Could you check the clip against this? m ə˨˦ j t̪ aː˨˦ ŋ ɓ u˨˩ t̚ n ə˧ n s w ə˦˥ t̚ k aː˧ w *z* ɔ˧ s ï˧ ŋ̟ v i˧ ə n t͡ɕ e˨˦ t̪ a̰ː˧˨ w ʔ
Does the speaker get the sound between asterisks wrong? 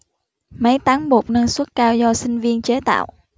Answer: no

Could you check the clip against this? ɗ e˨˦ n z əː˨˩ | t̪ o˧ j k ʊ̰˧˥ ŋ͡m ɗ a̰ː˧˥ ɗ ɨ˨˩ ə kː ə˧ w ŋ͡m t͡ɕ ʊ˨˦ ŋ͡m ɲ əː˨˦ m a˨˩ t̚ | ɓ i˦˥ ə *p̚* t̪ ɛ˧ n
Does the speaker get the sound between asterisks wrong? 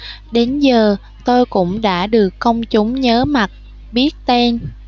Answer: yes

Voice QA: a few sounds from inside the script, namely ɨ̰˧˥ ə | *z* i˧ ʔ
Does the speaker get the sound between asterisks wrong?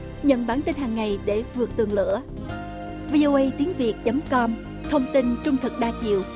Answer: yes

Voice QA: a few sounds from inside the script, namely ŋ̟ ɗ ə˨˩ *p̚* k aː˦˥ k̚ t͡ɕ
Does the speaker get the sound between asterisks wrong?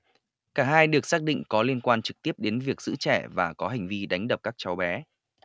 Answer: no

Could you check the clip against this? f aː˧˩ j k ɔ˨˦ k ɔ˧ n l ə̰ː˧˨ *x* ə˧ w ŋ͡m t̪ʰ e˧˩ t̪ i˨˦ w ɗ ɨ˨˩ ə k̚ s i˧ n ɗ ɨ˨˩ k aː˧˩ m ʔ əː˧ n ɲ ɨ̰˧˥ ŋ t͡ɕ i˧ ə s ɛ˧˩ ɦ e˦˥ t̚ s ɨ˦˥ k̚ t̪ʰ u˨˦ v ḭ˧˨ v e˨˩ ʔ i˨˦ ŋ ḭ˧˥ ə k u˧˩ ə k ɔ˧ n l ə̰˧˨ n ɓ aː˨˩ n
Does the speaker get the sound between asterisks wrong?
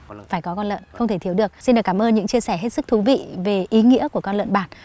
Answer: no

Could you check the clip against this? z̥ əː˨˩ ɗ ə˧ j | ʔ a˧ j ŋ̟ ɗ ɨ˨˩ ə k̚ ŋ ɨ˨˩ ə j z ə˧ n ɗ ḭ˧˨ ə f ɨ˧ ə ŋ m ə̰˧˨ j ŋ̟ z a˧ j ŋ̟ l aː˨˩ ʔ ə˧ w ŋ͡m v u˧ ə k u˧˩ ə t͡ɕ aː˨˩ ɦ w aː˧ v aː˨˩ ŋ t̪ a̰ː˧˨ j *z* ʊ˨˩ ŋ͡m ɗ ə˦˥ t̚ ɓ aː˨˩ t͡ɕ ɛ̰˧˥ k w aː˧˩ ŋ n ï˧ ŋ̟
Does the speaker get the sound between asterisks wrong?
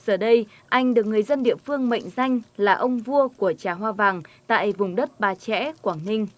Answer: yes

